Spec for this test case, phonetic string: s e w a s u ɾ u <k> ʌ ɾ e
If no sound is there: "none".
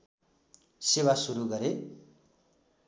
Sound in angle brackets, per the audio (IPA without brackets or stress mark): ɡ